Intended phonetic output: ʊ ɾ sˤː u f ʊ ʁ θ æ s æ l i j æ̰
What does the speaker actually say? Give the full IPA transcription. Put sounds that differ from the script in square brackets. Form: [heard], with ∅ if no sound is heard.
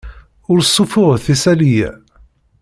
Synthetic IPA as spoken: ʊ ɾ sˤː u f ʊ ʁ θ [i] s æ l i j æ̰